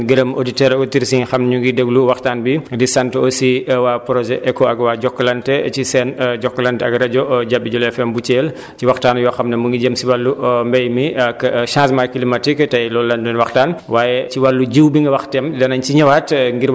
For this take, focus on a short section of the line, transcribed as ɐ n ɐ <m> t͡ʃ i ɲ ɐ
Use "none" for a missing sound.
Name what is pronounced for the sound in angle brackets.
ɲ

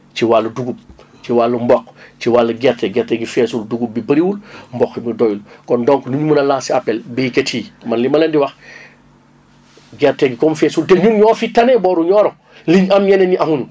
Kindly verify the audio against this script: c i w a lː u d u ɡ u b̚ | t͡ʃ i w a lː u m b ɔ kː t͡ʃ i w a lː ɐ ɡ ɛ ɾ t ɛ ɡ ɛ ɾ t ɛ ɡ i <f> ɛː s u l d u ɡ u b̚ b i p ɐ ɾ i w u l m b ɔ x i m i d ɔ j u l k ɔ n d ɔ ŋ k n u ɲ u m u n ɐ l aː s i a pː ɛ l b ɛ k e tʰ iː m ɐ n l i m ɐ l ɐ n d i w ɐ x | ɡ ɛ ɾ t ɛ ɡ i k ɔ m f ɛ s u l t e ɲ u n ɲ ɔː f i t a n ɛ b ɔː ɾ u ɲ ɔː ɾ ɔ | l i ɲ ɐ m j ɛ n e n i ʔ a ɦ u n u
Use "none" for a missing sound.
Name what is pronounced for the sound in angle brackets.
f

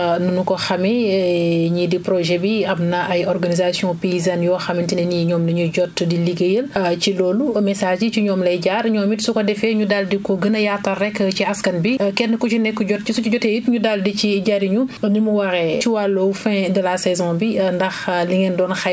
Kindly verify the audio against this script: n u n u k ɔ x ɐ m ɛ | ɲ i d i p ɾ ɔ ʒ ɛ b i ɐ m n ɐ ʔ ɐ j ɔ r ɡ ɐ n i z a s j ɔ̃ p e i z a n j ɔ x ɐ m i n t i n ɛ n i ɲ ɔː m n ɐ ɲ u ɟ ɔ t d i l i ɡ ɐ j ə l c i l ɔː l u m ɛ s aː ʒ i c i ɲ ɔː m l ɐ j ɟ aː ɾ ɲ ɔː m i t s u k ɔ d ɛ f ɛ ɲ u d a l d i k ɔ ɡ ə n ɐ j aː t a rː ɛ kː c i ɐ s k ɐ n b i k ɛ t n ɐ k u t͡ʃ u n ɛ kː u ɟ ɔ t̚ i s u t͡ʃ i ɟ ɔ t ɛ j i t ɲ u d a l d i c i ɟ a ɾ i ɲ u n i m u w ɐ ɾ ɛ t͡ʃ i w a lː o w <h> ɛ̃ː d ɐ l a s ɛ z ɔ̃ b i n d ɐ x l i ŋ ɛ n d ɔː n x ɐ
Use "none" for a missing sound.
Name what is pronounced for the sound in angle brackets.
f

